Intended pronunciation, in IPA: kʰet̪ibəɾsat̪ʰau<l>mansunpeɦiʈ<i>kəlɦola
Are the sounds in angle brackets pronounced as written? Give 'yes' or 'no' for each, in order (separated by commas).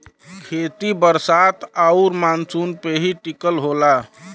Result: no, yes